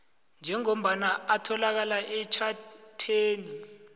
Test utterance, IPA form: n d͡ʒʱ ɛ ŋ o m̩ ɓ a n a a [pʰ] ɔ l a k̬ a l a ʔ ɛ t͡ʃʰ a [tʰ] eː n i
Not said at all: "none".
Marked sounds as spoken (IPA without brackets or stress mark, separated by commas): tʰ, tʰ